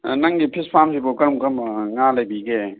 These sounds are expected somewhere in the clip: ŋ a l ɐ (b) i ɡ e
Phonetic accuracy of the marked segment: correct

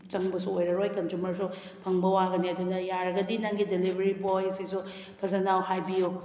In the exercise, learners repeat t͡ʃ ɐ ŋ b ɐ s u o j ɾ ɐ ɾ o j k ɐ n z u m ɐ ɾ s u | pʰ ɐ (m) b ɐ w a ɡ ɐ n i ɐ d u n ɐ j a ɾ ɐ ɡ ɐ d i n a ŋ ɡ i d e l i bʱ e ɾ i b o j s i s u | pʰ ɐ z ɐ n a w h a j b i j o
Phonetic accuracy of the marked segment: incorrect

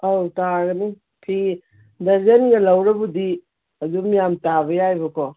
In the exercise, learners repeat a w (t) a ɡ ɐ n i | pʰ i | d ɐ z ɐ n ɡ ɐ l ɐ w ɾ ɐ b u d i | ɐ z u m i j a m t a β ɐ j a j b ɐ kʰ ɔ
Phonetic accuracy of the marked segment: correct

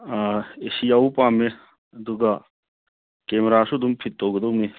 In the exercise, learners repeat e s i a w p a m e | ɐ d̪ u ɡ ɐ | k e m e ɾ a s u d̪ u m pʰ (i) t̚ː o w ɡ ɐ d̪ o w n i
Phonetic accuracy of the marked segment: correct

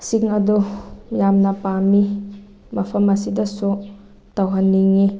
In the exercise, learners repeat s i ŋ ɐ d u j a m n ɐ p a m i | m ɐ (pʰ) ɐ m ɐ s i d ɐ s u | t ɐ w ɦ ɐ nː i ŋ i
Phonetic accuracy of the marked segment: correct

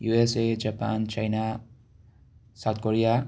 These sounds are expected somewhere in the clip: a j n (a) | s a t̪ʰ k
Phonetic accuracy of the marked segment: correct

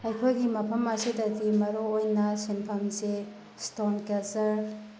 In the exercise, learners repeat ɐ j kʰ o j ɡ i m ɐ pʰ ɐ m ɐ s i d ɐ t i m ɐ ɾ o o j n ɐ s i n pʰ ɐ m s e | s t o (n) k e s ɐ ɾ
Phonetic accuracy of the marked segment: correct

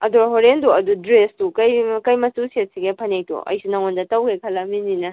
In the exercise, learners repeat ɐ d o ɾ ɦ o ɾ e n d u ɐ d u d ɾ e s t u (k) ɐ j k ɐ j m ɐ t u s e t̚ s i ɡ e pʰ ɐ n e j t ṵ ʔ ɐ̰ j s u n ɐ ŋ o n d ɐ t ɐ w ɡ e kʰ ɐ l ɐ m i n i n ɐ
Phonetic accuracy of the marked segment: correct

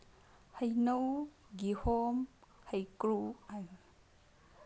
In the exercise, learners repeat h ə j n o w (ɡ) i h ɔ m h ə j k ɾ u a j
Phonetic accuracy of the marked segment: correct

